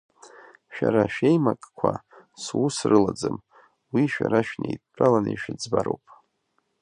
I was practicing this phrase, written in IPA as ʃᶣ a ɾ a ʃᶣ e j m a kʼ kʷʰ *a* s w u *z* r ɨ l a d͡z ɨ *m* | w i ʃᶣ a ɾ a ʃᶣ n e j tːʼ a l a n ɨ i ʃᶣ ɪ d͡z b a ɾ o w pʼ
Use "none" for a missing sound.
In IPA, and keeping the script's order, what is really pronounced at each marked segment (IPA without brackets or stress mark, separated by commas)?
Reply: a, s, m